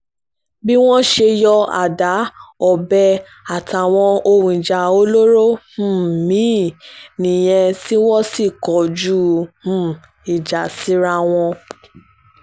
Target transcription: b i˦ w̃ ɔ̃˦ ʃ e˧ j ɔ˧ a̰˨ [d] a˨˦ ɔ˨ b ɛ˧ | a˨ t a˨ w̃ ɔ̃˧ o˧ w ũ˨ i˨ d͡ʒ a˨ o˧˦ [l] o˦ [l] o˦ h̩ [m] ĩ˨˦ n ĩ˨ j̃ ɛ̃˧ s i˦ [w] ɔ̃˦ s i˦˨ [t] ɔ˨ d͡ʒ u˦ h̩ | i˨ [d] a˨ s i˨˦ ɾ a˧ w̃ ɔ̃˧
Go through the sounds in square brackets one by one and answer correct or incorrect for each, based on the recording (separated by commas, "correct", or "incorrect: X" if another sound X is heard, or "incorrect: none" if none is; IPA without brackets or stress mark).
correct, correct, incorrect: ɾ, correct, correct, incorrect: k, incorrect: d͡ʒ